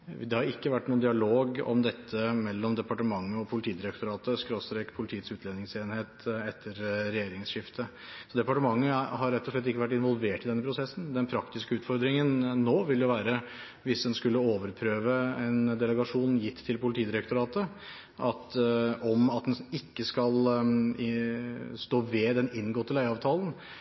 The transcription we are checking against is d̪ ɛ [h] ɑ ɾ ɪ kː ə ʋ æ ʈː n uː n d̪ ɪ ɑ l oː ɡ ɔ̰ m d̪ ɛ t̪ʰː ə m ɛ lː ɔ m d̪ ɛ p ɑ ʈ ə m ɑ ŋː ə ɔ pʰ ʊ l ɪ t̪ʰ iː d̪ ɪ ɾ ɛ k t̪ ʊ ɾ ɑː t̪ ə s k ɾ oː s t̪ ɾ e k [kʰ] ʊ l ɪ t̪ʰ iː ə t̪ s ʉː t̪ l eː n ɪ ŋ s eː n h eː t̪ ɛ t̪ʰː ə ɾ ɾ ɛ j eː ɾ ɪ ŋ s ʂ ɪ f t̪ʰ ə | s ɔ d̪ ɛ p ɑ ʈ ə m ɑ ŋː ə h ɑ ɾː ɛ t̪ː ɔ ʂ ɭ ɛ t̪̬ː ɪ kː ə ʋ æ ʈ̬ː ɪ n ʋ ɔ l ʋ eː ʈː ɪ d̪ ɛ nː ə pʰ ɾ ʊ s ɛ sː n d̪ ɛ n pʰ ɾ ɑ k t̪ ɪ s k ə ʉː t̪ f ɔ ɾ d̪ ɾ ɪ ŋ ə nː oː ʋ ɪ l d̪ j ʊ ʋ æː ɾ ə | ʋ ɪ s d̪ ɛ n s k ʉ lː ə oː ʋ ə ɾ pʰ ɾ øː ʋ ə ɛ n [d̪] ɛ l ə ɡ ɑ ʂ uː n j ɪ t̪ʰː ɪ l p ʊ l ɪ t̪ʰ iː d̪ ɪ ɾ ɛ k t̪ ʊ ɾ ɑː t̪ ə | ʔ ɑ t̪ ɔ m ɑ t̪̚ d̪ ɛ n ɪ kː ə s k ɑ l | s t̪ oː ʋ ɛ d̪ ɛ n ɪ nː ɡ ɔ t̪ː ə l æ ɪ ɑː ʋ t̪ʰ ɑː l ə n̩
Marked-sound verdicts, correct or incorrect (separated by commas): correct, incorrect, correct